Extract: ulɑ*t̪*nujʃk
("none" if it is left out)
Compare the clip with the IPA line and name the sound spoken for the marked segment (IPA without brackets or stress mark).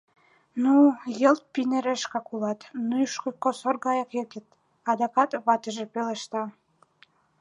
t̪